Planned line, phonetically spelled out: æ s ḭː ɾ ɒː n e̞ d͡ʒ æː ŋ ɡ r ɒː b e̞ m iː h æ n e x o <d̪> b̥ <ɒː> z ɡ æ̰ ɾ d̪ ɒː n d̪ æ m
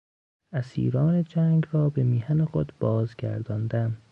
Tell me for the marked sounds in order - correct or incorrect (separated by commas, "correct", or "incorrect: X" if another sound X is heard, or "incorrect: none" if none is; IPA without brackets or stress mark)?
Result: correct, correct